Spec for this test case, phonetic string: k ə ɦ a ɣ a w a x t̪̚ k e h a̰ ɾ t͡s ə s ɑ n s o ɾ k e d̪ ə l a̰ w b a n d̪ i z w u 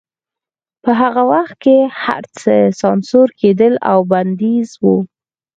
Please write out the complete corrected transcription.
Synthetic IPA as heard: p ə ɦ a ɣ a w a x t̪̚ k e h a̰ ɾ t͡s ə s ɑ n s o ɾ k e d̪ ə l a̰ w b a n d̪ i z w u